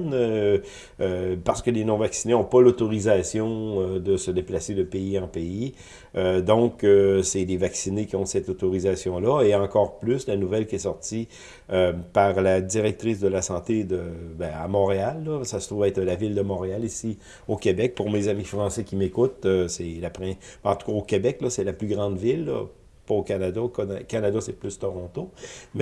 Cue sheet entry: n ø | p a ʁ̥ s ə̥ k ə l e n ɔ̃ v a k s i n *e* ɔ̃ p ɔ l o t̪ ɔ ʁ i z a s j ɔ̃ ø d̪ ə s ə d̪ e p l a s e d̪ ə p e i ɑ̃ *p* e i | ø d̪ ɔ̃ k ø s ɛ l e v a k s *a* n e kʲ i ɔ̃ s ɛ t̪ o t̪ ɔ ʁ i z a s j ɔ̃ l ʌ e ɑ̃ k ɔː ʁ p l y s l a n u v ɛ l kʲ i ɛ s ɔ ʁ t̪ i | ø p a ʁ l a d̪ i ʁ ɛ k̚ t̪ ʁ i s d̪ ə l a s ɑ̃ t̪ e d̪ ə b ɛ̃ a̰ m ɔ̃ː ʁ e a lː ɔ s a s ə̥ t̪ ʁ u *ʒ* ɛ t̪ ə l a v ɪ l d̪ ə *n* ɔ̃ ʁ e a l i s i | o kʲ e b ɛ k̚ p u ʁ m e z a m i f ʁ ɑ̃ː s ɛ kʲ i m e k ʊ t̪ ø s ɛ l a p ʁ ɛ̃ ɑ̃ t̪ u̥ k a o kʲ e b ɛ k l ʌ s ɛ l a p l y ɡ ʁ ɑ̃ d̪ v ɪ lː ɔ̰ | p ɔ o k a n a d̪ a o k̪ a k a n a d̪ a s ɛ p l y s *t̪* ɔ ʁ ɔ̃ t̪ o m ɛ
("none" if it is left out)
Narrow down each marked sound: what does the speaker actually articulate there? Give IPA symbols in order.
e, p, i, v, m, t̪

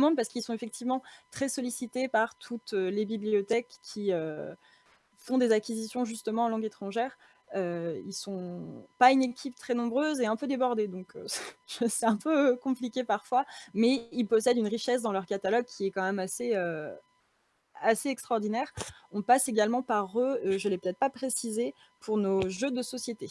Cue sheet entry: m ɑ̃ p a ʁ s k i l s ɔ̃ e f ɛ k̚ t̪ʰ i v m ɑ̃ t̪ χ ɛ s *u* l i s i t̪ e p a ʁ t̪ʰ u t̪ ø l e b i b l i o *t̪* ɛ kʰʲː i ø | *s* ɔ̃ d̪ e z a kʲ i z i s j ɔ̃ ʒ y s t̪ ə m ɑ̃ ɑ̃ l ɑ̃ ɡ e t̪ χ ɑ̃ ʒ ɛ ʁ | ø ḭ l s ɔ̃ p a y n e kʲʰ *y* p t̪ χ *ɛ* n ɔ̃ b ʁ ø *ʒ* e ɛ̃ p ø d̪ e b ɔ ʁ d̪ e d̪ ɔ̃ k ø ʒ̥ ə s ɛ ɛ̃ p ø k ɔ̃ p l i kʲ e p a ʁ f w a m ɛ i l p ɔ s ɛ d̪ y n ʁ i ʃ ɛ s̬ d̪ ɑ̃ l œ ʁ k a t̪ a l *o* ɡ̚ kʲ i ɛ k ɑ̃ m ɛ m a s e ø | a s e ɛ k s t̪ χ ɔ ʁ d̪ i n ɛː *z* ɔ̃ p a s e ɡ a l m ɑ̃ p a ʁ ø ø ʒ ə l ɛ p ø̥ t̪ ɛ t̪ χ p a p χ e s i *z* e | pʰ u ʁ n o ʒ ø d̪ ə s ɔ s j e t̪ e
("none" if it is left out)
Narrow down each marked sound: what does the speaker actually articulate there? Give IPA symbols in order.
ɔ, t̪, f, i, ɛ, z, ɔ, ʁ, z

